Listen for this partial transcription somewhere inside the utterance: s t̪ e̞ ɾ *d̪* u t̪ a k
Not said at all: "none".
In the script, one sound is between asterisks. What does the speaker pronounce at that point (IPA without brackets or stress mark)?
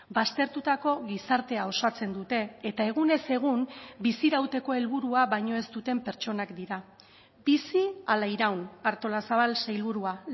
t̪